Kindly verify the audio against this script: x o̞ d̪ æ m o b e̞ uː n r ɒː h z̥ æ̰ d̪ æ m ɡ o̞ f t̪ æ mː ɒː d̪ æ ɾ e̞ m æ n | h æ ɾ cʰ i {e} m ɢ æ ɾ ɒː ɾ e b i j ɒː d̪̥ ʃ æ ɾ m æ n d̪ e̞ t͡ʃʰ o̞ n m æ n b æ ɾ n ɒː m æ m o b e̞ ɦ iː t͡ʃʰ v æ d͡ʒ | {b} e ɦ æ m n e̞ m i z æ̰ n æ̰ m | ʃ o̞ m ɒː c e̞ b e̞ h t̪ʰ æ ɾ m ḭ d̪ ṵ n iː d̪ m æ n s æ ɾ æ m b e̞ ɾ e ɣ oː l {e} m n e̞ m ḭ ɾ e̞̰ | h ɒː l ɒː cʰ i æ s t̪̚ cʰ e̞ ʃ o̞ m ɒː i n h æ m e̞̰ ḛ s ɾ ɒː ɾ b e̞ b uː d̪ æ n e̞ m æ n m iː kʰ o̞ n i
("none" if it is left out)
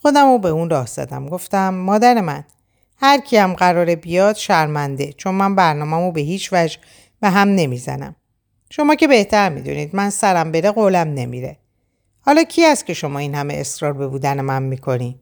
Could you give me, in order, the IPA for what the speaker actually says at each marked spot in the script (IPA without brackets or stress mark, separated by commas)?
æ, b, æ